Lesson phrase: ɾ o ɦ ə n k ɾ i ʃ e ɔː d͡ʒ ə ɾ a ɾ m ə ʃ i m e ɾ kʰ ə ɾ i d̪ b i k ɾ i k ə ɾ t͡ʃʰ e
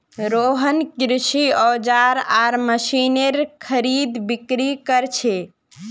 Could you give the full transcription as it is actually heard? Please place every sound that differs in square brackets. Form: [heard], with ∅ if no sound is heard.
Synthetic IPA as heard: ɾ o ɦ ə n k ɾ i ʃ [i] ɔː d͡ʒ [a] ɾ a ɾ m ə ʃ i [n] e ɾ kʰ ə ɾ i d̪ b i k ɾ i k ə ɾ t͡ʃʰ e